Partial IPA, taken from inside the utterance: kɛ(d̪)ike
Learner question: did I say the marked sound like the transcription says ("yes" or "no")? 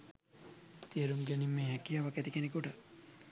no